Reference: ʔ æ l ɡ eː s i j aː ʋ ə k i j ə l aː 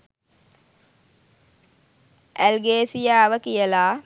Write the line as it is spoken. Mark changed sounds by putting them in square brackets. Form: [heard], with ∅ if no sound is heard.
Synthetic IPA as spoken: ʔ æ l ɡ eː s i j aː ʋ ə k i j ə l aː

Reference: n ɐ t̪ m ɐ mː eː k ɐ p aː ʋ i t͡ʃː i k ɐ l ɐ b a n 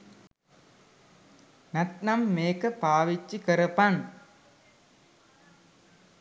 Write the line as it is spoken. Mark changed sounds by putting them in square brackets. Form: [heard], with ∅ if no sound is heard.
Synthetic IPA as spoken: n ɐ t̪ [n] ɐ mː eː k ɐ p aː ʋ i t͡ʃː i k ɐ [ɾ] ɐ [p] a n

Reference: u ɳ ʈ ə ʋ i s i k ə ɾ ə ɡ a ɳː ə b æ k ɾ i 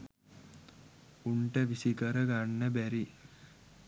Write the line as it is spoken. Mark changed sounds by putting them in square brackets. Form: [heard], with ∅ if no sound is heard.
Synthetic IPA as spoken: u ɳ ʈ ə ʋ i s i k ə ɾ ə ɡ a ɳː ə b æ [∅] ɾ i

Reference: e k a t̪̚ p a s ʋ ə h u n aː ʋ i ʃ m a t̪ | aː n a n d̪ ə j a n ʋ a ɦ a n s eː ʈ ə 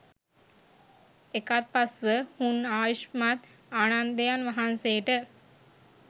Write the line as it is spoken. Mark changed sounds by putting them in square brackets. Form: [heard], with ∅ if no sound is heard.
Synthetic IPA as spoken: e k a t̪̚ p a s ʋ ə h u n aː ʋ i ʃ m a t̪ | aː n a n d̪ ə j a n ʋ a ɦ a n s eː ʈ ə

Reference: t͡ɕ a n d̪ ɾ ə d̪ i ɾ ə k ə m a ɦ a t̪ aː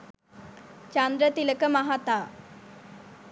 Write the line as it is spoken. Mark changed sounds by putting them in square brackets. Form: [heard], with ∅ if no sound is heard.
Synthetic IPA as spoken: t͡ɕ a n d̪ ɾ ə [t̪] i [l] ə k ə m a ɦ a t̪ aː

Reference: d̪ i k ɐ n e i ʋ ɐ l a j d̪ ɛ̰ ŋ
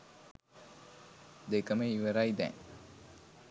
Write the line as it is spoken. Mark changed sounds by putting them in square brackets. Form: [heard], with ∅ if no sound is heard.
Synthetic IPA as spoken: d̪ [e] k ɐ [m] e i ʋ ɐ [ɾ] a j d̪ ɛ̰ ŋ

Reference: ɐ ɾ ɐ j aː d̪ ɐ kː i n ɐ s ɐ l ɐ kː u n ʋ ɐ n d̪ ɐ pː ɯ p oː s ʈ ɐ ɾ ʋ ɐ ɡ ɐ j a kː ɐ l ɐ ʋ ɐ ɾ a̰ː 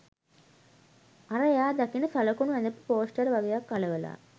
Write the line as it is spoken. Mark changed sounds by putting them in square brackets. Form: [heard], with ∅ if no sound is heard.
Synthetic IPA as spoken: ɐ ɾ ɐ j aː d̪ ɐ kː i n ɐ s ɐ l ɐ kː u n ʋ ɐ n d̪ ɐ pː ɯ p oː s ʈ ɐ ɾ ʋ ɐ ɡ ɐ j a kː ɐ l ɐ ʋ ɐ [l] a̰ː

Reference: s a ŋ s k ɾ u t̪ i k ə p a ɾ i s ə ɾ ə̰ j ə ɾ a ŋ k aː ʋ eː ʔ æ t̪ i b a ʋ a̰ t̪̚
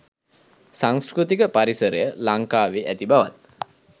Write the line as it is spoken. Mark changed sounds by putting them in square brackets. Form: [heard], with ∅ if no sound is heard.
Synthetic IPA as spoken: s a ŋ s k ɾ u t̪ i k ə p a ɾ i s ə ɾ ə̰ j ə [l] a ŋ k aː ʋ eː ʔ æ t̪ i b a ʋ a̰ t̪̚

